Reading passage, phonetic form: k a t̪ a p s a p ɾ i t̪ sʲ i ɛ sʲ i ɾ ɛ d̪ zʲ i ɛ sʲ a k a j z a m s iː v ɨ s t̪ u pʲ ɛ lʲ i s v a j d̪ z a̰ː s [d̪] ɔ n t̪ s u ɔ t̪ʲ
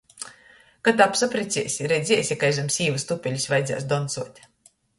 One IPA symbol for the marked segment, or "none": d̪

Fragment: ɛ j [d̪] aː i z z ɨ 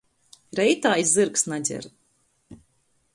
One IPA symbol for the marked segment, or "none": t̪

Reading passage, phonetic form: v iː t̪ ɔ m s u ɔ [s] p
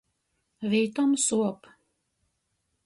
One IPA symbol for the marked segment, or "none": none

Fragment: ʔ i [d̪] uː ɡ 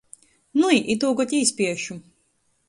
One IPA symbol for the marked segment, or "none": t̪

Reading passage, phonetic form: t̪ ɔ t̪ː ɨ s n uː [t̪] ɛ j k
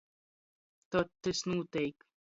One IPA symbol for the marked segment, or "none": t̪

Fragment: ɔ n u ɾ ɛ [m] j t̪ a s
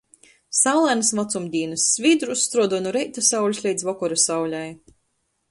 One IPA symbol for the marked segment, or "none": none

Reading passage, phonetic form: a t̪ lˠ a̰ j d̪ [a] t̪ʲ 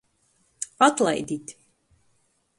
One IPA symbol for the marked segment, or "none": i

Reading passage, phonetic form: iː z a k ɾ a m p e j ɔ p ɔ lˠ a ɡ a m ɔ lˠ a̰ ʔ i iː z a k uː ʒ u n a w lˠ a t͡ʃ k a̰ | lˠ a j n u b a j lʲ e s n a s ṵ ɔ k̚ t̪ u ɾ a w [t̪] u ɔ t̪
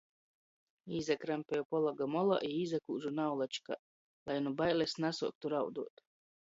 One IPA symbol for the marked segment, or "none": d̪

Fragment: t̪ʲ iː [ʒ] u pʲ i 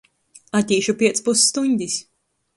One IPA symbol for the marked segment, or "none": ʃ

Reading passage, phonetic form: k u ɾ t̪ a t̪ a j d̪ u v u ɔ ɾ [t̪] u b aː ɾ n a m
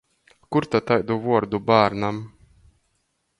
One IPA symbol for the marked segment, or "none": d̪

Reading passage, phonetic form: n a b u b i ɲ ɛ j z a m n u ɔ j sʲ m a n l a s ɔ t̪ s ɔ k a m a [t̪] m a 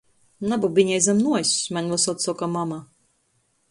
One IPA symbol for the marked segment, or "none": none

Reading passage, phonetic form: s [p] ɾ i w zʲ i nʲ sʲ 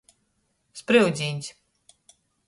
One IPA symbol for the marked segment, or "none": p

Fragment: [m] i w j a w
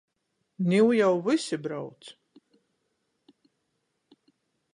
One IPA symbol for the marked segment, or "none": n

